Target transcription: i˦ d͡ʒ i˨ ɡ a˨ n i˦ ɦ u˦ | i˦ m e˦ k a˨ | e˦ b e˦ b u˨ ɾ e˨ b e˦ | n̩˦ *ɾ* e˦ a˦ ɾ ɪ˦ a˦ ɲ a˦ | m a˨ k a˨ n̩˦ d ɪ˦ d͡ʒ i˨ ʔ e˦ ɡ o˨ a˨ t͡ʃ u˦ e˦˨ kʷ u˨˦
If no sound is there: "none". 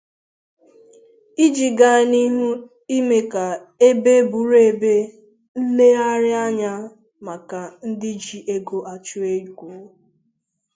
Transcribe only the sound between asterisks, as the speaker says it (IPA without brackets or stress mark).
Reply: l